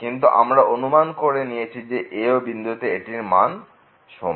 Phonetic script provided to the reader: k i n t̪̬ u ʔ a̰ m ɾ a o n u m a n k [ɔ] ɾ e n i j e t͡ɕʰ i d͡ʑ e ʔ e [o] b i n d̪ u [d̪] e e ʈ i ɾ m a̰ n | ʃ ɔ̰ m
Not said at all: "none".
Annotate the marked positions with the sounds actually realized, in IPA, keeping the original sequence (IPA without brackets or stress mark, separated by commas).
o, o, t̪